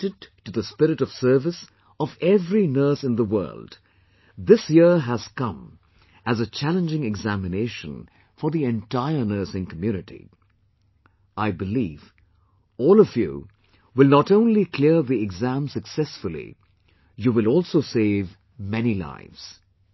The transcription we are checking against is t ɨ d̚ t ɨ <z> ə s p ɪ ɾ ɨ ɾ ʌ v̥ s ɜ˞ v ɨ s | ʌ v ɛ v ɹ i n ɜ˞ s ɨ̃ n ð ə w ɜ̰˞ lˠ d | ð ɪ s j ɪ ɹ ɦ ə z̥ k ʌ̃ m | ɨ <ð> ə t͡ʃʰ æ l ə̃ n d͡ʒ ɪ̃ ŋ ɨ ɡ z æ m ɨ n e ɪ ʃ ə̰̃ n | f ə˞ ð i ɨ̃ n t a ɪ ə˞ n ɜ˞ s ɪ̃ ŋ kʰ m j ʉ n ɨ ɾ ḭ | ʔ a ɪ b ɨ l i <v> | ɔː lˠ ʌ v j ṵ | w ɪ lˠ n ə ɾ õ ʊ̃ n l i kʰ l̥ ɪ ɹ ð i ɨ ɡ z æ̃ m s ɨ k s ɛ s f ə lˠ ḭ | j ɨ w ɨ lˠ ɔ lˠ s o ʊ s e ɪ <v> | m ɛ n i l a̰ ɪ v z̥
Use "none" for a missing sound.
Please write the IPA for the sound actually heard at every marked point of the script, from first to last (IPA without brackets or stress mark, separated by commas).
ð, z, v, v